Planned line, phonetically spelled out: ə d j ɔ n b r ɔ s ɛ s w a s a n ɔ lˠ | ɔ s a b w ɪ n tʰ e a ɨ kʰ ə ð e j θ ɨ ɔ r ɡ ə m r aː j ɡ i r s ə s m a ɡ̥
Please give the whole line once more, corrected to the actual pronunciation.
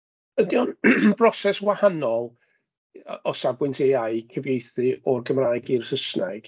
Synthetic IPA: ə d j ɔ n b r ɔ s ɛ s w a h a n ɔ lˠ | ɔ s a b w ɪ n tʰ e a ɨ kʰ ə v e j θ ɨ ɔ r ɡ ə m r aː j ɡ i r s ə s n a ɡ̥